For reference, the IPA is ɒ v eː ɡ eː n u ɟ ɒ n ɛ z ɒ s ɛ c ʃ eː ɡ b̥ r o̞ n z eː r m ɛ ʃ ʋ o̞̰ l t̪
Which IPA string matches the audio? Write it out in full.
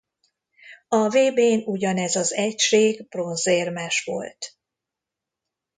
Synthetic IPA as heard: ɒ v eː b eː n u ɟ ɒ n ɛ z ɒ z ɛ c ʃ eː ɡ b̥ r o̞ n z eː r m ɛ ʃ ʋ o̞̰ l t̪